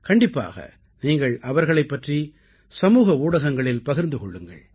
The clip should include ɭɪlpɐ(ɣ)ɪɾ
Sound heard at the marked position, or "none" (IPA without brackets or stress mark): ɣ